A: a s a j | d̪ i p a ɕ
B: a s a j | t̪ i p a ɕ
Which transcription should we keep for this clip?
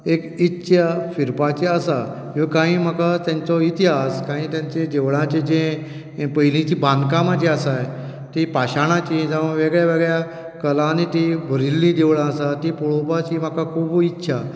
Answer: B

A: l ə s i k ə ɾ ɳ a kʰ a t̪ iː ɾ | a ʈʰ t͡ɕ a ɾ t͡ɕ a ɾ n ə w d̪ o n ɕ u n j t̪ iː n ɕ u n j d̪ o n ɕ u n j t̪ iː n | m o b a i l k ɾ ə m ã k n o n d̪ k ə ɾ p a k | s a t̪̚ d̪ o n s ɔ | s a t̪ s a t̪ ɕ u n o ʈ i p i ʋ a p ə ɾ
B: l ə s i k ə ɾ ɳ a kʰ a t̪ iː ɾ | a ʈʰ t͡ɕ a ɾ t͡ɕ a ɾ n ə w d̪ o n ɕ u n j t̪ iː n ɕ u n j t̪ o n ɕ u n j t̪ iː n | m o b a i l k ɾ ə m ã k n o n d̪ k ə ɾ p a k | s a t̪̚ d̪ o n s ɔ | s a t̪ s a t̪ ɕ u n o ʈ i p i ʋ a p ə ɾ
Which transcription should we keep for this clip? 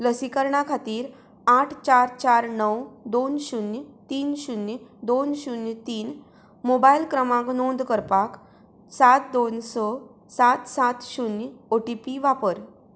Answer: A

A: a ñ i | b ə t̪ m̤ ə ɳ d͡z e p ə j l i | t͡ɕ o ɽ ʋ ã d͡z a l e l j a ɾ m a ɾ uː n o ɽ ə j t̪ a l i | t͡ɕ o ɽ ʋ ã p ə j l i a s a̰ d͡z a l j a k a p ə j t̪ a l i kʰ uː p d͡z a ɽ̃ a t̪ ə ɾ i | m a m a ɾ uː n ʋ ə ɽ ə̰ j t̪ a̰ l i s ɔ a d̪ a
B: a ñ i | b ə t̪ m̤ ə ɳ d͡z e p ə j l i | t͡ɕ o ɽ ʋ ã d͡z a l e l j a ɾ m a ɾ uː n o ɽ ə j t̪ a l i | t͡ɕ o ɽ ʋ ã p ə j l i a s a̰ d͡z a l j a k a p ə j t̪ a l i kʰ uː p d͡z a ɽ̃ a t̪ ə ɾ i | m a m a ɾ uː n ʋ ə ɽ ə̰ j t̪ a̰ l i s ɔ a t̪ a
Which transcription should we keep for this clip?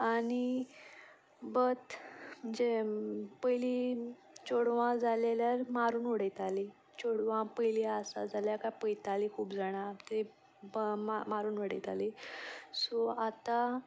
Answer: B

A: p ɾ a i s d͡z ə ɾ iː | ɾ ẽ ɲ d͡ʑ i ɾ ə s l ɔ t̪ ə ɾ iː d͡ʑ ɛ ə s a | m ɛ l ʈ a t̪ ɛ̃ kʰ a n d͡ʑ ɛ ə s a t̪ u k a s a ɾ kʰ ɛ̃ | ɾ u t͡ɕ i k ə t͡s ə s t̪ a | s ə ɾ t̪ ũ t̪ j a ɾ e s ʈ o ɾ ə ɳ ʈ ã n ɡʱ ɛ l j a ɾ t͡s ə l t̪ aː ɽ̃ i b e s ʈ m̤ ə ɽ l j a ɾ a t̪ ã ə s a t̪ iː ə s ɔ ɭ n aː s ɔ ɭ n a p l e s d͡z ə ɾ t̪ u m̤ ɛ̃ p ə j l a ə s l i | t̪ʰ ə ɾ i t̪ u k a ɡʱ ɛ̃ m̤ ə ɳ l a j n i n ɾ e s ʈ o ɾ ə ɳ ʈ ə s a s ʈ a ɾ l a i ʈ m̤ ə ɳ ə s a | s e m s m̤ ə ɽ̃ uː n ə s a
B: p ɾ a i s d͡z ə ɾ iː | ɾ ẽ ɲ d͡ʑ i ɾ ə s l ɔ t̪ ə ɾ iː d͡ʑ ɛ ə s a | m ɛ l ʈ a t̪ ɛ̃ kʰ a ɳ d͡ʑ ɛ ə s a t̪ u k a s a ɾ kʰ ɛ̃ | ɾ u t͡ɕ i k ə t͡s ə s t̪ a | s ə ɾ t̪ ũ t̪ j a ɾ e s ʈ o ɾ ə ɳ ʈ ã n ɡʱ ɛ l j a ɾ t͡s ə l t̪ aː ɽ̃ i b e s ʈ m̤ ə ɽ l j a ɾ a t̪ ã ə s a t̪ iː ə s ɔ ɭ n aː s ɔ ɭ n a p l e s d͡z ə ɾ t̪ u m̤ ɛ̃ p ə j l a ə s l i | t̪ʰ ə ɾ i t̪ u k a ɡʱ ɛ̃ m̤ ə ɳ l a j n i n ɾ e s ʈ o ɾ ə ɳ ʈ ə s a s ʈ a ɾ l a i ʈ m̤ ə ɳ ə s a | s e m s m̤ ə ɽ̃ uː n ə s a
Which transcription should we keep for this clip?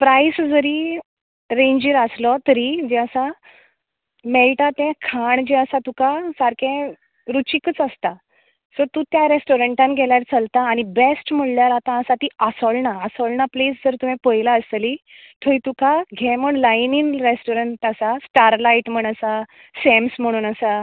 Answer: B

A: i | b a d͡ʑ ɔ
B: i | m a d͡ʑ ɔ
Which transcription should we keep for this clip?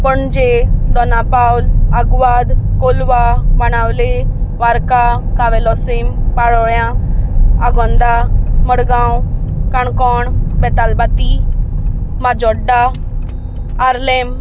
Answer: B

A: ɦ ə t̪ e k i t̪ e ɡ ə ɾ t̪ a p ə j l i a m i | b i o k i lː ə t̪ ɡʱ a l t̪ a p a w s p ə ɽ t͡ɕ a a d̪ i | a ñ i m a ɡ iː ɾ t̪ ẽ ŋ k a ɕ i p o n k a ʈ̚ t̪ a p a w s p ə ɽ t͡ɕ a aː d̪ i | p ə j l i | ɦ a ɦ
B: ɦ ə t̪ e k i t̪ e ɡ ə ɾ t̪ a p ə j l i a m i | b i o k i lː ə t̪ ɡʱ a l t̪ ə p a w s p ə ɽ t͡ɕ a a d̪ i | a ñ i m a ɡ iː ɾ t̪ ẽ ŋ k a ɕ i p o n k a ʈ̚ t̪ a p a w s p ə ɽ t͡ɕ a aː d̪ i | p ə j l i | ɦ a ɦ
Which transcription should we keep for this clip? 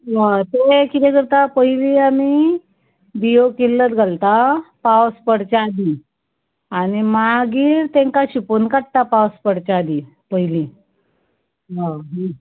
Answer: A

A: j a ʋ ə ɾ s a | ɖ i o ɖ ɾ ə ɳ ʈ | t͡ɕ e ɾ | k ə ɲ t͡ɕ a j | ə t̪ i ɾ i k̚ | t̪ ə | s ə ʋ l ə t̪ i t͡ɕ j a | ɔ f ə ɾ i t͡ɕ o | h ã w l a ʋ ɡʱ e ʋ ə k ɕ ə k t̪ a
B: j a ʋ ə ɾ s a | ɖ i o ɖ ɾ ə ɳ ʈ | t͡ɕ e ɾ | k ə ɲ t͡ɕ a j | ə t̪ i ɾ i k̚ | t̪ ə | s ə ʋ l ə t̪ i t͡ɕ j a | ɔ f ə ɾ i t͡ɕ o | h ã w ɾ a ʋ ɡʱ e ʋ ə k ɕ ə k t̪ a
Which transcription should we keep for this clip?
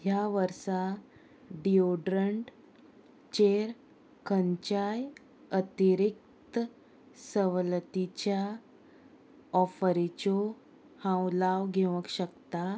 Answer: A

